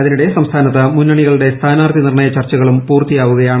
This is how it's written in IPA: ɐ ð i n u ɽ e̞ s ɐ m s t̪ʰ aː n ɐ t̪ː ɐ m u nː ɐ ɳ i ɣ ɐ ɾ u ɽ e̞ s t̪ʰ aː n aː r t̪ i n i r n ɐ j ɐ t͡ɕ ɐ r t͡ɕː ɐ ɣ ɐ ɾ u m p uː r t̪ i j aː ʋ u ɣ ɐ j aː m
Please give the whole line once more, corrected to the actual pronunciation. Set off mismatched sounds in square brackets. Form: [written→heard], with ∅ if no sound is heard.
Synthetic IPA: ɐ ð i n u ɽ e̞ s ɐ m s t̪ʰ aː n ɐ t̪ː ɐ m u nː ɐ ɳ i ɣ ɐ [ɾ→ɭ] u ɽ e̞ s t̪ʰ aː n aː r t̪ i n i r [n→ɳ] ɐ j ɐ t͡ɕ ɐ r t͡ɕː ɐ ɣ ɐ [ɾ→ɭ] u m p uː r t̪ i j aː ʋ u ɣ ɐ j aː [m→ɳ]

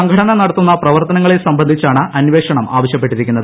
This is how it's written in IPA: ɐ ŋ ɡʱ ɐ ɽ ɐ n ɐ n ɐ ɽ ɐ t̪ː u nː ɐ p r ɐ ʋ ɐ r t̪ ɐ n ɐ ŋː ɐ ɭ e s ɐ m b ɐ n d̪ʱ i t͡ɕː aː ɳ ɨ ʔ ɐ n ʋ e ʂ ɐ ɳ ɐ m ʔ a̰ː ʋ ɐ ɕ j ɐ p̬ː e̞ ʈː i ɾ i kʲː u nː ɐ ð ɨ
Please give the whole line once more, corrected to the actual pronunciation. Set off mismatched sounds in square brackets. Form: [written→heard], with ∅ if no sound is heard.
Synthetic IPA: ɐ ŋ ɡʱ ɐ ɽ ɐ n ɐ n ɐ ɽ ɐ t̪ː u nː ɐ p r ɐ ʋ ɐ r t̪ ɐ n ɐ ŋː ɐ ɭ e s ɐ m b ɐ n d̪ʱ i t͡ɕː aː ɳ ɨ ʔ ɐ n ʋ e ʂ ɐ ɳ ɐ m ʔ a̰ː ʋ ɐ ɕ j ɐ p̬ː e̞ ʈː i ɾ i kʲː u nː ɐ ð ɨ

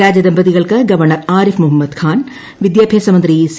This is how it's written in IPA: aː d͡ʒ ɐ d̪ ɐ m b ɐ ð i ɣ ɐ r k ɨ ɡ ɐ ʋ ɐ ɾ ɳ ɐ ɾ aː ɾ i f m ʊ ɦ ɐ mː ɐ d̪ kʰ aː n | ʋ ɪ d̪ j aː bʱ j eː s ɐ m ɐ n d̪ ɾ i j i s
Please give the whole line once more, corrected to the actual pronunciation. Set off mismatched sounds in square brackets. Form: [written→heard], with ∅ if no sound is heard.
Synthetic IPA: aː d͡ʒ ɐ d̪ ɐ m b ɐ ð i ɣ ɐ [r→ɭ] k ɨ ɡ ɐ ʋ ɐ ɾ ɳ ɐ ɾ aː ɾ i f m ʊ ɦ ɐ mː ɐ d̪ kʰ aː n | ʋ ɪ d̪ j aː bʱ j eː s ɐ m ɐ n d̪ ɾ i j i s

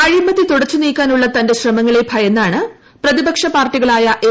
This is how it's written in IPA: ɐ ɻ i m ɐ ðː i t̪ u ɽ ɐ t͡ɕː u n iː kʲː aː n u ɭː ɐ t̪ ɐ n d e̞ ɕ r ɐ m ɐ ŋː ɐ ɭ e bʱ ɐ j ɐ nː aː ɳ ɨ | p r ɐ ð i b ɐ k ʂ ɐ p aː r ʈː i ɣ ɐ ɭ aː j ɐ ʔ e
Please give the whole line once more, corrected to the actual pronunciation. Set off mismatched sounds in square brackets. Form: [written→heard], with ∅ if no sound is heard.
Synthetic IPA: ɐ ɻ i m ɐ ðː i t̪ u ɽ ɐ t͡ɕː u n iː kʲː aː n u ɭː ɐ t̪ ɐ n d e̞ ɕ r ɐ m ɐ ŋː ɐ ɭ e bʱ ɐ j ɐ nː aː ɳ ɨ | p r ɐ ð i b ɐ k ʂ ɐ p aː r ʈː i ɣ ɐ ɭ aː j ɐ ʔ e

